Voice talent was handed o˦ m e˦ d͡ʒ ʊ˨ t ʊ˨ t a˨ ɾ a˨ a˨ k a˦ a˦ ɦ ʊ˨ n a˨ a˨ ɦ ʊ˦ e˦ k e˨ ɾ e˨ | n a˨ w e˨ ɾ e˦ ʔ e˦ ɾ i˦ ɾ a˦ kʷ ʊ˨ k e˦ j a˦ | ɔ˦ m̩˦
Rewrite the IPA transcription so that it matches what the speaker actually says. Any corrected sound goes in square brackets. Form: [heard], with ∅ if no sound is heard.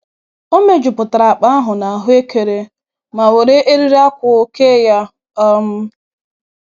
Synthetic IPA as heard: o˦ m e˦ d͡ʒ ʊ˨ [p] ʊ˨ t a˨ ɾ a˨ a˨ [k͡p] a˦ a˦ ɦ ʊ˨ n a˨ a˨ ɦ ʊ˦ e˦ k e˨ ɾ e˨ | [m] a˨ w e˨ ɾ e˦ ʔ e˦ ɾ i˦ ɾ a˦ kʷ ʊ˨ k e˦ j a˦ | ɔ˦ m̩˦